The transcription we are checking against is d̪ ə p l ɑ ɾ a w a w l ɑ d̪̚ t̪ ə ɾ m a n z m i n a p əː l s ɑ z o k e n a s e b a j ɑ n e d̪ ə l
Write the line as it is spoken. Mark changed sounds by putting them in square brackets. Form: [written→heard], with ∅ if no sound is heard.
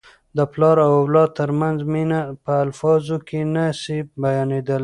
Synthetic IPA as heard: d̪ ə p l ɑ ɾ a w a w l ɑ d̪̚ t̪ ə ɾ m a n z m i n a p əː l [s→f] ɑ z o k e n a s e b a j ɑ n e d̪ ə l